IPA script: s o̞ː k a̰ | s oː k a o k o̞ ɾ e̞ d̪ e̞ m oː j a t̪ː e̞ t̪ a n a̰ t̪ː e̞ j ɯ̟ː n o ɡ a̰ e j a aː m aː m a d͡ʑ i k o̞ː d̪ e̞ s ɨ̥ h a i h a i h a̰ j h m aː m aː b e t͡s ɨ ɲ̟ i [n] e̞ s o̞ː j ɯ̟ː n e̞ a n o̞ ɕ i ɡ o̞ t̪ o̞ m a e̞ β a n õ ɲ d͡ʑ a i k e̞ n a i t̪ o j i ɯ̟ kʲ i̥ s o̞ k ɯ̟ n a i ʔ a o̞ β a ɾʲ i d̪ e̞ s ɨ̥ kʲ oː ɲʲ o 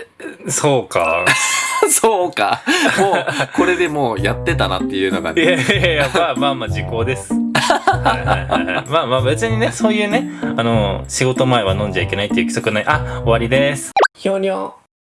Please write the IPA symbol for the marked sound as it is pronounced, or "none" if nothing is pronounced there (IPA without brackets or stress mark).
n